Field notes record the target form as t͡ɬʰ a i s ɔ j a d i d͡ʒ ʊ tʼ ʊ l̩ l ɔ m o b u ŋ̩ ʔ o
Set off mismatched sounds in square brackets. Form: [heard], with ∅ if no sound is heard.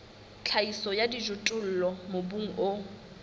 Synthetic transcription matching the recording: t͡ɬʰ a i s ɔ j a d i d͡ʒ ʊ tʼ ʊ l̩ l ɔ m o b u ŋ̩ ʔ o